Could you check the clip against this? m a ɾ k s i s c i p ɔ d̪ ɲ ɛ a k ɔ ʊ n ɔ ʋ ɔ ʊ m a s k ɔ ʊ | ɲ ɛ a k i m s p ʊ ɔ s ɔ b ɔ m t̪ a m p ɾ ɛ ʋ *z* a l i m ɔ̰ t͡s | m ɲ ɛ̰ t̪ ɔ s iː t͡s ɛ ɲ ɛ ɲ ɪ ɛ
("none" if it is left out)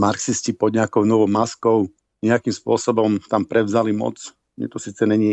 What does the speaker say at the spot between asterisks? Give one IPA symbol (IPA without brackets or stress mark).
z